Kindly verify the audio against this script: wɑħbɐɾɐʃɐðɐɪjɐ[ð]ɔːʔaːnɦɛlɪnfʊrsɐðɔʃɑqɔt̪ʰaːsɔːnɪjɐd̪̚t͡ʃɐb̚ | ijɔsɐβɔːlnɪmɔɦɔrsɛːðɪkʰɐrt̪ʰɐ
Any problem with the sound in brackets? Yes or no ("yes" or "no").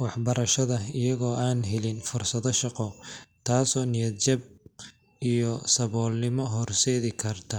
yes